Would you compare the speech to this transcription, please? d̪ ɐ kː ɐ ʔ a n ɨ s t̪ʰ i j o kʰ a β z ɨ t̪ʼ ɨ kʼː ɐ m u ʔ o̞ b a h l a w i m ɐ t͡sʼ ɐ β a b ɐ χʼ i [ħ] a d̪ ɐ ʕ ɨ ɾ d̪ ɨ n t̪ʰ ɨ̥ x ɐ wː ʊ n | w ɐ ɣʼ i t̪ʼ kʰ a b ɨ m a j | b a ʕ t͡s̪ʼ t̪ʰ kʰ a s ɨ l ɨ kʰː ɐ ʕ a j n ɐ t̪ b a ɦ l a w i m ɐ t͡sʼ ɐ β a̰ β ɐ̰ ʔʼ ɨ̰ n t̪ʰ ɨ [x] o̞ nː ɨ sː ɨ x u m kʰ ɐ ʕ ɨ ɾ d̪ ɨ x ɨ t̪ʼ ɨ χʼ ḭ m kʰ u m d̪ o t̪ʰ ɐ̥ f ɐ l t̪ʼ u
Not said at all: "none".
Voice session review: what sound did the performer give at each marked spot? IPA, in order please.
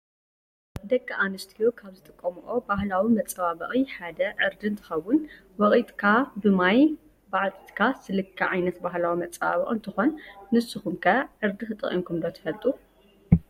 ħ, x

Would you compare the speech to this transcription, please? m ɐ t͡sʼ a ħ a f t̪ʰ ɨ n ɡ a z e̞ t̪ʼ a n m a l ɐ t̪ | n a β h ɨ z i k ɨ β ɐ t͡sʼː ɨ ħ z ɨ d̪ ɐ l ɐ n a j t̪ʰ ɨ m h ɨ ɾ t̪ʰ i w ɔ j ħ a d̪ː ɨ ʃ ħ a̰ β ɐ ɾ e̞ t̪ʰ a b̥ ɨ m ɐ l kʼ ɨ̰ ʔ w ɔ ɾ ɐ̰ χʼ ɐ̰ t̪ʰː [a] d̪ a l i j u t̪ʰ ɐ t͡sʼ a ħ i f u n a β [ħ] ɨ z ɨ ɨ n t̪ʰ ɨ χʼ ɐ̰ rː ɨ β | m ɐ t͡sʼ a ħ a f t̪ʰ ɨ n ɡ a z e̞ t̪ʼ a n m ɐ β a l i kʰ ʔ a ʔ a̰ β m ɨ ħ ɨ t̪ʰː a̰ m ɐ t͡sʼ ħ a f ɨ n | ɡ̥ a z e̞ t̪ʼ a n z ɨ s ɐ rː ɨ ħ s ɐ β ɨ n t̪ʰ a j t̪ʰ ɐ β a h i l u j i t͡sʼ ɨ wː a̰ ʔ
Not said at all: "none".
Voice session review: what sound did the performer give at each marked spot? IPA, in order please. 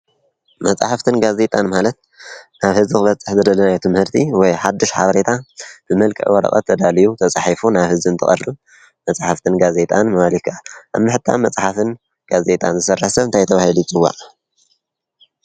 ɐ, h

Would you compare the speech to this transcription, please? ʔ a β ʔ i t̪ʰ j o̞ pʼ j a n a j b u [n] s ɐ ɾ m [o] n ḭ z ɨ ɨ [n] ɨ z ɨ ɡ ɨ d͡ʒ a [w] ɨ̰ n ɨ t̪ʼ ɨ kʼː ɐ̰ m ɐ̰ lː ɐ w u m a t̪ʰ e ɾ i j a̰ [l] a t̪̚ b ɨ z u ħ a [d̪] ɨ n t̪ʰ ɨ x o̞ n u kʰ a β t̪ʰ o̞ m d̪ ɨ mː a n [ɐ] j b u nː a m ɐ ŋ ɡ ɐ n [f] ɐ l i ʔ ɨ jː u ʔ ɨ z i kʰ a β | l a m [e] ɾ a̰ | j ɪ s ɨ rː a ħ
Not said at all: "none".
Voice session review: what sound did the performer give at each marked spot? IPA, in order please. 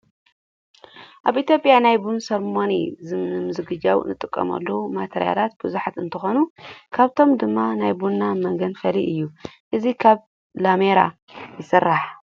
n, o, m, w, l, t̪, a, f, e

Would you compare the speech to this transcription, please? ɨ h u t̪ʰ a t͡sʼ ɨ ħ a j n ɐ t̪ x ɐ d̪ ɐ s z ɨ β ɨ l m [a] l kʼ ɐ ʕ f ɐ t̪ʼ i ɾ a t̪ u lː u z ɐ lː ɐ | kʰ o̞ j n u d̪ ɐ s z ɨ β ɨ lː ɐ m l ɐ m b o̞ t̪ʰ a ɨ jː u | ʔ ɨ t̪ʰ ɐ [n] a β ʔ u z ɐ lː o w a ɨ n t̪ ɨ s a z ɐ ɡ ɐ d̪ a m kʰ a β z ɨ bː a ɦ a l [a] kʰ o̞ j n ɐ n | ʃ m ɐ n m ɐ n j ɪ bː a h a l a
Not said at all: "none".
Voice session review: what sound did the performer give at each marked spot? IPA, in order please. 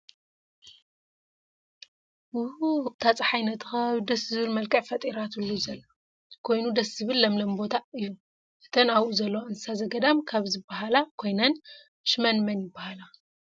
ɐ, n, a

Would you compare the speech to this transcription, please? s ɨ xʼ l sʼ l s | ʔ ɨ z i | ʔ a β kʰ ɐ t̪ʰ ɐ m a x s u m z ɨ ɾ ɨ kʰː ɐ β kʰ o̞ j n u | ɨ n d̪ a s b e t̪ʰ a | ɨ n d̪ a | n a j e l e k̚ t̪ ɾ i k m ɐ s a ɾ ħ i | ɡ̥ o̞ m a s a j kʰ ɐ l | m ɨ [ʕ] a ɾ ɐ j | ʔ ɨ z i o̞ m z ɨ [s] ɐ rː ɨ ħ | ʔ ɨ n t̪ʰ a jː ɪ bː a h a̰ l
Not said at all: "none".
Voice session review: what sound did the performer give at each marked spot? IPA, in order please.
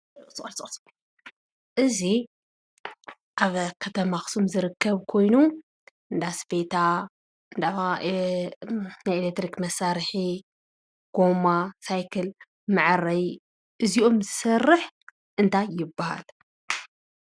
ʕ, s

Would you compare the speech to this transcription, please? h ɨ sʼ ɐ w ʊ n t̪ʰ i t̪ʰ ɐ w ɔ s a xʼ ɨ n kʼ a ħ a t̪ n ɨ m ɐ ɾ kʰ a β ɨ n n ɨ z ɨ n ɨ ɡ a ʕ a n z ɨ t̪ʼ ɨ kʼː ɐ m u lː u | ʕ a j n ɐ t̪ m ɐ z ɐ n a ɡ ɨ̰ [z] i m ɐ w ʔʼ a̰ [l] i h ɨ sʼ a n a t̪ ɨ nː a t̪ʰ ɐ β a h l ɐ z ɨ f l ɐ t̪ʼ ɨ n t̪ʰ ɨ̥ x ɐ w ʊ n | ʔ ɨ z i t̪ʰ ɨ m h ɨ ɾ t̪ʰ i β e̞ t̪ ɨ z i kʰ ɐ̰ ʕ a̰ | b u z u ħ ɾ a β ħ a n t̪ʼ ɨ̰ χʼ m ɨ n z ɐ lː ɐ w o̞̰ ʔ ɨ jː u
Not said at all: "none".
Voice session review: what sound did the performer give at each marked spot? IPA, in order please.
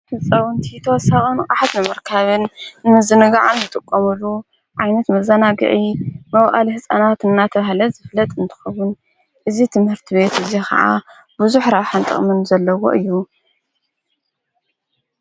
ʕ, l

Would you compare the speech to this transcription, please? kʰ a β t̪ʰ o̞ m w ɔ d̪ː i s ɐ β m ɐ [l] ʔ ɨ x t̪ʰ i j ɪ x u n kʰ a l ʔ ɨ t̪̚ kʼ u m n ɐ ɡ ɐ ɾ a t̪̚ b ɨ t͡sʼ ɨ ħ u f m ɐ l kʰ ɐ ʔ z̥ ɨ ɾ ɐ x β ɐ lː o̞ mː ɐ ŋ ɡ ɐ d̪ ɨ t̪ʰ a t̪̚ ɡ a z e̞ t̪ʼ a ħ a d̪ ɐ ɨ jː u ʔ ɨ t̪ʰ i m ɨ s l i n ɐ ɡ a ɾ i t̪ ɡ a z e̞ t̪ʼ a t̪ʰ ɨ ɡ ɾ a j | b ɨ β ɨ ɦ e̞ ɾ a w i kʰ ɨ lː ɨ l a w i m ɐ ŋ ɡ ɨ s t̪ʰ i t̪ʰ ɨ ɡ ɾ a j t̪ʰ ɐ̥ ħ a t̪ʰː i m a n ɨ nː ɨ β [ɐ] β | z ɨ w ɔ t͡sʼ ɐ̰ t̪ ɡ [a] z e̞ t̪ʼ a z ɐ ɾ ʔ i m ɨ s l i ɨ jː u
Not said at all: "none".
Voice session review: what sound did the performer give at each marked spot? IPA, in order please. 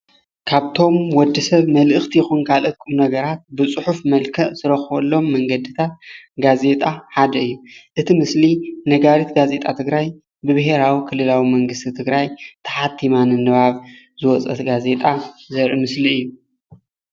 l, a, a

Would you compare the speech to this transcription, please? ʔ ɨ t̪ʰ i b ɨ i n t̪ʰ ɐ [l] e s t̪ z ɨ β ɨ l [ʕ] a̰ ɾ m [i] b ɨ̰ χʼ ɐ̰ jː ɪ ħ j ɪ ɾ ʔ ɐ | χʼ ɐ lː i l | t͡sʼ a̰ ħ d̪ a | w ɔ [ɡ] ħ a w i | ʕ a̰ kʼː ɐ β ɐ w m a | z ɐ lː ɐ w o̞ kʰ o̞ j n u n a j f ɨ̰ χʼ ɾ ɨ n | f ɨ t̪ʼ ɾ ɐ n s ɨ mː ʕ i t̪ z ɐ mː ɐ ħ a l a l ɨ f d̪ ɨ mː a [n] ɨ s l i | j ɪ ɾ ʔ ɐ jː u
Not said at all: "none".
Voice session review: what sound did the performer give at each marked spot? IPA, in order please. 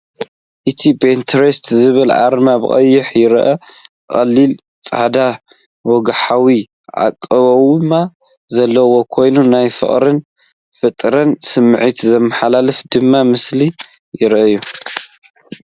ɾ, ʕ, a, ɡ, m

